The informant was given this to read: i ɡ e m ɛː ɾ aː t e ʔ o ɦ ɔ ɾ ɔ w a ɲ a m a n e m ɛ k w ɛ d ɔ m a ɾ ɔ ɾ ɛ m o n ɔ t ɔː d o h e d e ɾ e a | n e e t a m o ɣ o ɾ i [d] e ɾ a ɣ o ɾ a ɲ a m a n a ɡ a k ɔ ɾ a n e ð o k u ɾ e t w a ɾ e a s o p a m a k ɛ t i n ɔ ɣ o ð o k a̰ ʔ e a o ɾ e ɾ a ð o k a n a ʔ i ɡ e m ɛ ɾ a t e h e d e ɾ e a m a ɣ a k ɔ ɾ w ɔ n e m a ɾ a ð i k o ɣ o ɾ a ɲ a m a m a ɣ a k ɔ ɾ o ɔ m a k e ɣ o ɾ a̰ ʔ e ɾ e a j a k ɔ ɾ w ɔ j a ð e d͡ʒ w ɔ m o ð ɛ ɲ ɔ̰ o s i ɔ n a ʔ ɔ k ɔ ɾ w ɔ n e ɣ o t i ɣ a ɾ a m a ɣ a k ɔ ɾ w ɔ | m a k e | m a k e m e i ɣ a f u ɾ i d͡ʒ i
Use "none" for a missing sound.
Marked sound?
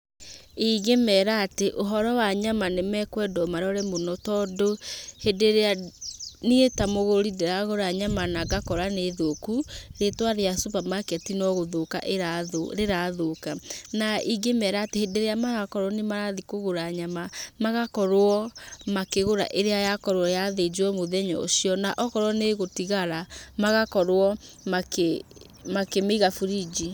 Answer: d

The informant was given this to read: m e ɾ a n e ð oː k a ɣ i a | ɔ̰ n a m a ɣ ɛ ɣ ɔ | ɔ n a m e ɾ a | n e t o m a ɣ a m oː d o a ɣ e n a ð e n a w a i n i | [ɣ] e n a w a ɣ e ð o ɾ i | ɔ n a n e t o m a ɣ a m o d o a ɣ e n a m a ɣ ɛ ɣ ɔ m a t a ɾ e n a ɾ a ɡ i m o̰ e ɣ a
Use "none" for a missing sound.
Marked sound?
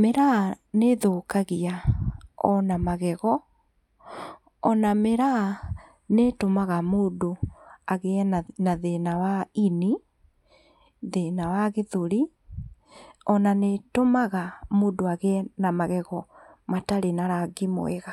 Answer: ð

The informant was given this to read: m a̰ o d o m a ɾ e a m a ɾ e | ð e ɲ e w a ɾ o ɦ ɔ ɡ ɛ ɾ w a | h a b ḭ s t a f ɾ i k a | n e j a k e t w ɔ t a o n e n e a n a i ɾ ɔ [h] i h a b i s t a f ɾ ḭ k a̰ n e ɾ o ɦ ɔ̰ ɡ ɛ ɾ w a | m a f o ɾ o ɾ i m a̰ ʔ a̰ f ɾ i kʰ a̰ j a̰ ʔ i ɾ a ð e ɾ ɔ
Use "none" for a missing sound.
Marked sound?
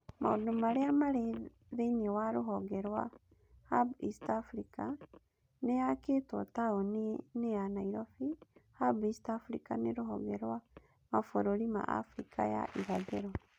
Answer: f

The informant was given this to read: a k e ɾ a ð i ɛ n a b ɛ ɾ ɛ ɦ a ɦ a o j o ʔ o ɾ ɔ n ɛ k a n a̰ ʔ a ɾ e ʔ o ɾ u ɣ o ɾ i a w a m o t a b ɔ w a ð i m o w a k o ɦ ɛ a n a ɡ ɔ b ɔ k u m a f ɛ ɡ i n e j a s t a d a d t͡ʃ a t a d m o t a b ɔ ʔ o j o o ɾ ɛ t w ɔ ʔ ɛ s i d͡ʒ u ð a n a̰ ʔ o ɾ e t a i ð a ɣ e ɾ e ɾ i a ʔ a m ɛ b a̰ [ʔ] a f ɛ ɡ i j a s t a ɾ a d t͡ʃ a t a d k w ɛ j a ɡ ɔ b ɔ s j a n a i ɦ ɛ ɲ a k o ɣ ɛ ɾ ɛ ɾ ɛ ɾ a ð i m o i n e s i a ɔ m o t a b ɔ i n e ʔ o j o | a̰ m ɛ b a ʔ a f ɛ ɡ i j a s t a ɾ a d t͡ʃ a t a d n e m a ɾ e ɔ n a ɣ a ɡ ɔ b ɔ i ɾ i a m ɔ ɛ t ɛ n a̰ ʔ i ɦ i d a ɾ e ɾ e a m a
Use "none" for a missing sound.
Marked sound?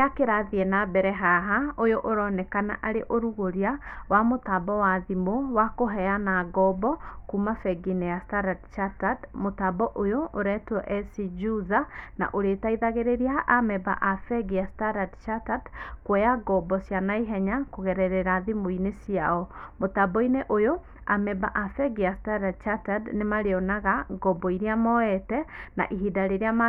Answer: ʔ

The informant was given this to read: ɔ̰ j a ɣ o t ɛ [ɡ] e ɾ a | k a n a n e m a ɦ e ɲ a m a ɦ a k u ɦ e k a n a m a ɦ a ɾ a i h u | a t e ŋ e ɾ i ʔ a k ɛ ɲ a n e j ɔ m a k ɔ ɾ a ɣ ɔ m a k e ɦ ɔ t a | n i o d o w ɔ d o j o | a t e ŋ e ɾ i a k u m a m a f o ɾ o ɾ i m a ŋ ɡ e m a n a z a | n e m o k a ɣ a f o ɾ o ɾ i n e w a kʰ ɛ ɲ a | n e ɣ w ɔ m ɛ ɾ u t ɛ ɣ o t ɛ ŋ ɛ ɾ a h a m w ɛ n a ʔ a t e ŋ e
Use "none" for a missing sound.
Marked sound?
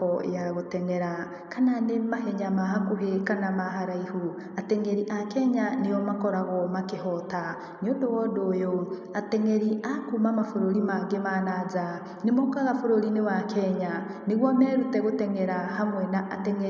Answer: ŋ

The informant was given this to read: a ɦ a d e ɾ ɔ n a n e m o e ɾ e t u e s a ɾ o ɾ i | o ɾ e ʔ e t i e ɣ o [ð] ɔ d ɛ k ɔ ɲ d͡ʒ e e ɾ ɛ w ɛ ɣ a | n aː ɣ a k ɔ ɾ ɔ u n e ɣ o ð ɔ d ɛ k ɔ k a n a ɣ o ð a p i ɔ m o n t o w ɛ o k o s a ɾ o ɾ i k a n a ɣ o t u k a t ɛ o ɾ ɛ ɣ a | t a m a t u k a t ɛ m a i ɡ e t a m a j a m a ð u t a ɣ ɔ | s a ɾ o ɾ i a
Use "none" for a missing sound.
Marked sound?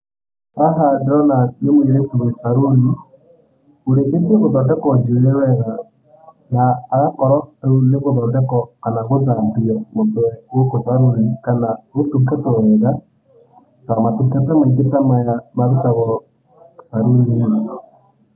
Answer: ð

